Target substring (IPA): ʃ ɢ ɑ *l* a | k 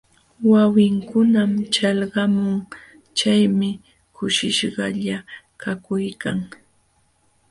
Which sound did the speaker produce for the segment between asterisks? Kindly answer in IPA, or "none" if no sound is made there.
ʎ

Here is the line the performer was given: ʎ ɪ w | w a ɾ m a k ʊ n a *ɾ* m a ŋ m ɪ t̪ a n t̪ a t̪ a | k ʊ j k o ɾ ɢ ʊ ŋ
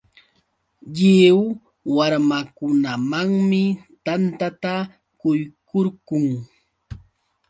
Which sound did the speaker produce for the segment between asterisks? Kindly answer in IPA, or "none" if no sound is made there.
none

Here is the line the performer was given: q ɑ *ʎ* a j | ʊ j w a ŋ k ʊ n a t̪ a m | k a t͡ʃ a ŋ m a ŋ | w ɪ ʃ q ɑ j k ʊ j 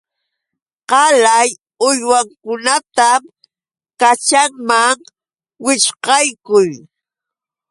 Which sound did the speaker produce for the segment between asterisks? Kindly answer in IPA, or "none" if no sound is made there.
l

